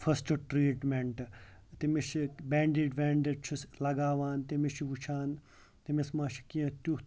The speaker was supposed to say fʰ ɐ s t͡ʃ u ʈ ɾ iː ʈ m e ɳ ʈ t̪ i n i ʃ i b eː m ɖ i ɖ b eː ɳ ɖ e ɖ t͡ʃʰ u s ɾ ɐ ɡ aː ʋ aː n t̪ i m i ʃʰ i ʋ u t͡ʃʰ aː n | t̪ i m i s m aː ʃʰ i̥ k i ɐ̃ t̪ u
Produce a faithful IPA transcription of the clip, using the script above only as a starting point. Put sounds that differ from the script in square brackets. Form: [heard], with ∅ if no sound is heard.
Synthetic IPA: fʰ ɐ s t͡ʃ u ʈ ɾ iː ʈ m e ɳ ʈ t̪ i [m] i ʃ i b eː [ɳ] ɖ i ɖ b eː ɳ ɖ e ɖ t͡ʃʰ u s [l] ɐ ɡ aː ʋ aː n t̪ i m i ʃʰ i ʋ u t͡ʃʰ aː n | t̪ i m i s m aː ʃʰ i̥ k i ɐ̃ t̪ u